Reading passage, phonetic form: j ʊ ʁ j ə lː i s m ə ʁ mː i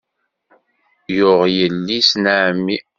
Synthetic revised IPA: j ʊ ʁ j ə lː i s n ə ʕ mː i